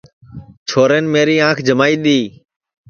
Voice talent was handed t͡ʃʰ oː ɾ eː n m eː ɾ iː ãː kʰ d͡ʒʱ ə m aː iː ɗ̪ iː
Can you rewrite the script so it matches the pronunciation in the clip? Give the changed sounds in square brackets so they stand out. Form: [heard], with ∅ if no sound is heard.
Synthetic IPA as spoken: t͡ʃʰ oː ɾ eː n m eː ɾ iː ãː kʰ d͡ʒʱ ə m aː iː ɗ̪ iː